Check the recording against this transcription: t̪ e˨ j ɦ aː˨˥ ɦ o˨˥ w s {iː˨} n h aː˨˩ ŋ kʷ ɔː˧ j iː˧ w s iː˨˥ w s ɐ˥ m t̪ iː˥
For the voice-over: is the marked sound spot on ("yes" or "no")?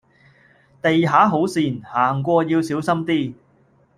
yes